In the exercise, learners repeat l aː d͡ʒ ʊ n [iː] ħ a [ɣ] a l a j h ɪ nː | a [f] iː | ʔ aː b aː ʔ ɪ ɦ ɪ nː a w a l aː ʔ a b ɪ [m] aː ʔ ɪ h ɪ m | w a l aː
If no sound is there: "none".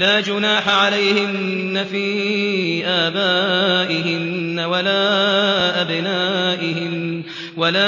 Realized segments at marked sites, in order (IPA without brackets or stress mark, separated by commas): aː, ʕ, f, n